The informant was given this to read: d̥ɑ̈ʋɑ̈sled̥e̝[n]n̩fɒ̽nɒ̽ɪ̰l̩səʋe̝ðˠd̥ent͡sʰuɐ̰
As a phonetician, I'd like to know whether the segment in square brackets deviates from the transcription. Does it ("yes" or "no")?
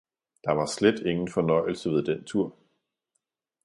yes